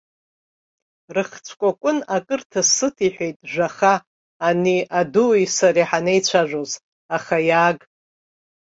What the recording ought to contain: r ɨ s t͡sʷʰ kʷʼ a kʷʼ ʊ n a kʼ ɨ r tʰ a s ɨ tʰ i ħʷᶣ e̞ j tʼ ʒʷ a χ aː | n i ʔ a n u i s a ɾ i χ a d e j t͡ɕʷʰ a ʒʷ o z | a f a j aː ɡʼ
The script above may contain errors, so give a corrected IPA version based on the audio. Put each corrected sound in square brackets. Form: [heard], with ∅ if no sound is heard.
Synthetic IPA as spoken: r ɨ [χ] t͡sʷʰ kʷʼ a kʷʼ ʊ n a kʼ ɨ r tʰ a s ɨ tʰ i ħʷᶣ e̞ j tʼ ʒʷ a χ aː | n i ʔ a [d] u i s a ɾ i [ħ] a [n] e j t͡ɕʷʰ a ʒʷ o z | a [χ] a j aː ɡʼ